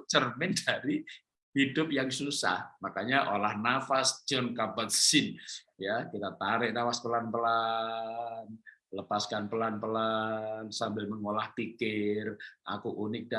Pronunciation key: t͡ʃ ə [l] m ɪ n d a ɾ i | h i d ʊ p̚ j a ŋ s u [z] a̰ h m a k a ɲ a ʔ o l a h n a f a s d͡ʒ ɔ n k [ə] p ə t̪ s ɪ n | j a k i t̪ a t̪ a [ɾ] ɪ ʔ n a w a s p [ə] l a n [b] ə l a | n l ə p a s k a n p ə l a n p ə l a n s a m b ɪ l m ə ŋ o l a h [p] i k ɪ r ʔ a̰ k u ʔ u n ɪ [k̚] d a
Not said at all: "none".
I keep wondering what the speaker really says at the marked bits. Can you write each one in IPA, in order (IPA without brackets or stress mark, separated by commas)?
r, s, a, ɾ, ə, p, p, k̚